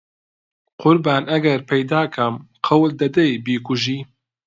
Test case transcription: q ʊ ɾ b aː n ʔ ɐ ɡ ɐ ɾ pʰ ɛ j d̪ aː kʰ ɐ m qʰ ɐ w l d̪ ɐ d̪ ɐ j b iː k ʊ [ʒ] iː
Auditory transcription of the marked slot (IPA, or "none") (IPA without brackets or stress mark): ʒ